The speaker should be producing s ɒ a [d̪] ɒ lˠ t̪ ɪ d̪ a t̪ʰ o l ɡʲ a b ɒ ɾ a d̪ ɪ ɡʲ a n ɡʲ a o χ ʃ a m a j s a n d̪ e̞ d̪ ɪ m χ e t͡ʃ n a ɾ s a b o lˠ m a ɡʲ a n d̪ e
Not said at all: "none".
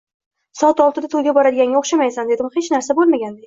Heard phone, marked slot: t̪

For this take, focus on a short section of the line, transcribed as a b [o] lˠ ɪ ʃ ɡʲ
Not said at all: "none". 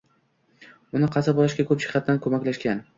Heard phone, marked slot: ɒ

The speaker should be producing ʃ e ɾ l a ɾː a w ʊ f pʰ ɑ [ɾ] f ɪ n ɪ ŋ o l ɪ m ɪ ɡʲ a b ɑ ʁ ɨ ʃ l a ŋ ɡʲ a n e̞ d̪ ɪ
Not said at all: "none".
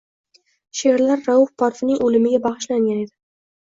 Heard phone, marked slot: ɾ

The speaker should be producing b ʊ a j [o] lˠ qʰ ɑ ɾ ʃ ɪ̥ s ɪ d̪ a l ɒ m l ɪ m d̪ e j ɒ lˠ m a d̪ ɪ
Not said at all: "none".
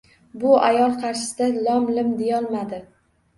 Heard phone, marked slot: ɒ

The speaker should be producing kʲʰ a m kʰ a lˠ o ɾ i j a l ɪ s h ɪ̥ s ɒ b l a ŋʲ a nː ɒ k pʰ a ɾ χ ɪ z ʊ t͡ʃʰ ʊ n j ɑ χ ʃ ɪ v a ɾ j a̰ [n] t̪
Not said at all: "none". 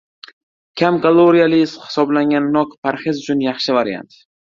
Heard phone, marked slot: n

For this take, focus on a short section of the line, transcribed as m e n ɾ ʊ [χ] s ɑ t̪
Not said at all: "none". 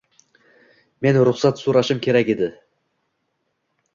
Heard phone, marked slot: χ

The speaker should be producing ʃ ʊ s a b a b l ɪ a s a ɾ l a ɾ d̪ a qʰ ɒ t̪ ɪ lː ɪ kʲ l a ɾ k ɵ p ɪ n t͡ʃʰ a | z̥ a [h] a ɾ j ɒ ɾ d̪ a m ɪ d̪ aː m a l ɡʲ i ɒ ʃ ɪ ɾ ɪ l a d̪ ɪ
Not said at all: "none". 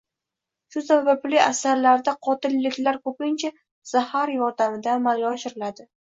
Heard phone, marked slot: h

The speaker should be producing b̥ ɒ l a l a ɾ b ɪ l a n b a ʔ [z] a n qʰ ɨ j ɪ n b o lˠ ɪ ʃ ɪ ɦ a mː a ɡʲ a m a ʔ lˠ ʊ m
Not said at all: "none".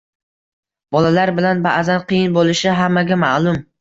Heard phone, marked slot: z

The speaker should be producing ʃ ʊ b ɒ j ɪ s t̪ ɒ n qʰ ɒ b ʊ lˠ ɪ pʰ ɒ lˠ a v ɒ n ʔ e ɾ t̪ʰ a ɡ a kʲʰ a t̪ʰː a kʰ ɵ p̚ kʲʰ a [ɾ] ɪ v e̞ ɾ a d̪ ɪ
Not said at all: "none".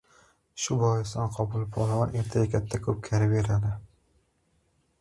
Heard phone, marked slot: ɾ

